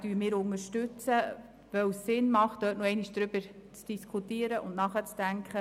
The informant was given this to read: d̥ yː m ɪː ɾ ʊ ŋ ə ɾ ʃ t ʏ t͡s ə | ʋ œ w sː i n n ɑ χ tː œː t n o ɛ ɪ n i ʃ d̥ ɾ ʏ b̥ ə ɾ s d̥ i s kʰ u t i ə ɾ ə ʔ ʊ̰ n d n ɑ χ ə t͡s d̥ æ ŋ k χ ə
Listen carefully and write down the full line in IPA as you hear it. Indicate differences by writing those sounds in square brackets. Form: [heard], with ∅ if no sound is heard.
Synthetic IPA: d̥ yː m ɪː ɾ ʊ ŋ ə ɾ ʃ t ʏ t͡s ə | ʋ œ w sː [ɪ] n [m] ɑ χ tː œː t n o ɛ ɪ n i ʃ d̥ ɾ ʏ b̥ ə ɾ [t͡s] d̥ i s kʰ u t i ə ɾ ə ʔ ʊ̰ n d n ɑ χ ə t͡s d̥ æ ŋ k χ ə